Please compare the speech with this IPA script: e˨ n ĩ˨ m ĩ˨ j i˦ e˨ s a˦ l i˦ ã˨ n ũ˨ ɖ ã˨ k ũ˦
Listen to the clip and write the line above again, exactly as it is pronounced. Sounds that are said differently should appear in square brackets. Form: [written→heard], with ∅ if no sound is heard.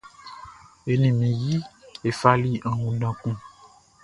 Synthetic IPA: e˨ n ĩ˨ m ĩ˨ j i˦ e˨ [s→f] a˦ l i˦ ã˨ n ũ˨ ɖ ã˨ k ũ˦